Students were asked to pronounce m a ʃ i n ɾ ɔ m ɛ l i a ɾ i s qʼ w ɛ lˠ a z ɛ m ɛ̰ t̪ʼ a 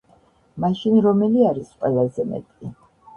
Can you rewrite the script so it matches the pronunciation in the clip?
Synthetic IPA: m a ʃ i n ɾ ɔ m ɛ l i a ɾ i s qʼ w ɛ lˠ a z ɛ m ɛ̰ t̪ʼ i